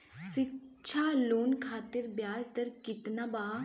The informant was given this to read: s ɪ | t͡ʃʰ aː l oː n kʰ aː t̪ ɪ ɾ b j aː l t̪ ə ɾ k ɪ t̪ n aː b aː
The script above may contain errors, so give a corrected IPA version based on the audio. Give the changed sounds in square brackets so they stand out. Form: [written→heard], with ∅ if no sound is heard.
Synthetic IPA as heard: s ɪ | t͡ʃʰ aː l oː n kʰ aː t̪ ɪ ɾ b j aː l t̪ ə ɾ k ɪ t̪ n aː b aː